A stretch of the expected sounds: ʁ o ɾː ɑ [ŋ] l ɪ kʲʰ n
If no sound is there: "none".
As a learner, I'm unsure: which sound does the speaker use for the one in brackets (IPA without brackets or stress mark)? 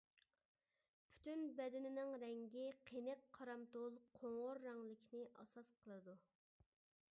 ŋ